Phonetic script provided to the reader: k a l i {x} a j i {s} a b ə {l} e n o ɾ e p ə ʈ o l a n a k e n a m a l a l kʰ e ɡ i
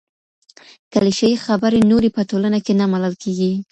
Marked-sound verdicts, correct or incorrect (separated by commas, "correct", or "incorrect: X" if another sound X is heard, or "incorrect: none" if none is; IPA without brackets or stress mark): incorrect: ʃ, incorrect: x, incorrect: ɾ